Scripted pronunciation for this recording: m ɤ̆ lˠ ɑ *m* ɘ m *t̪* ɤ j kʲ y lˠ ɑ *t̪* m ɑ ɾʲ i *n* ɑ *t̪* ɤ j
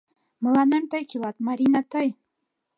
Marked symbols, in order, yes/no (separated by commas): no, yes, yes, yes, yes